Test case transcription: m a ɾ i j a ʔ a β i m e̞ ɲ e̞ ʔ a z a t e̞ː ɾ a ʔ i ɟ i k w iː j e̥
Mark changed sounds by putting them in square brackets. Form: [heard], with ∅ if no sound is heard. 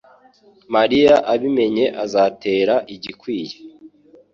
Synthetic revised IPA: m a ɾ i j a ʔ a β i m e̞ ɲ e̞ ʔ a z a t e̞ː ɾ a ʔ i ɟ i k w iː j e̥